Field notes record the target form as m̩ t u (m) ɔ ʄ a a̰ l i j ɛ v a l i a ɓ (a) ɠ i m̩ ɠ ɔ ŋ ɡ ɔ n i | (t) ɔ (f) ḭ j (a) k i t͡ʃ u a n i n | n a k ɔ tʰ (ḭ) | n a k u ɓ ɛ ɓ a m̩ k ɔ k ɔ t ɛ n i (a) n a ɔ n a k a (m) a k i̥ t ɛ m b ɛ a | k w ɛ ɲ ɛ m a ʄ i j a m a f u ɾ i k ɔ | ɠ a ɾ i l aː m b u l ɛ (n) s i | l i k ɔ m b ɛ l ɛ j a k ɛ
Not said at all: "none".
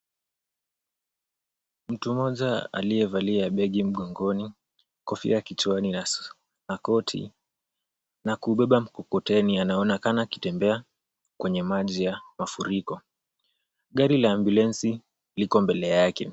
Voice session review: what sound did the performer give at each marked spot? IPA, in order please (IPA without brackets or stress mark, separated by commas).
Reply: m, ɛ, k, f, a, ḭ, a, n, n